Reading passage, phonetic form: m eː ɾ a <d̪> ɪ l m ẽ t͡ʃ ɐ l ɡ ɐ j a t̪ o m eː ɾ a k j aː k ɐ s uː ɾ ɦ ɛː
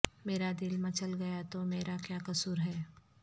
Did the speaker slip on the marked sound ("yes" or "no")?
no